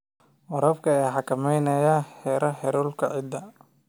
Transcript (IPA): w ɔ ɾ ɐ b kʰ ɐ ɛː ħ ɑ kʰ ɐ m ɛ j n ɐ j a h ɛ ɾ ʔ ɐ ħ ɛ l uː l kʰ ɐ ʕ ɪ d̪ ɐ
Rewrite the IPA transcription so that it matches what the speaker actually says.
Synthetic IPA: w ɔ ɾ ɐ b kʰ ɐ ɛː ħ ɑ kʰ ɐ m ɛ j n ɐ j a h ɛ ɾ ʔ ɐ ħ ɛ ɾ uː l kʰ ɐ ʕ ɪ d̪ ɐ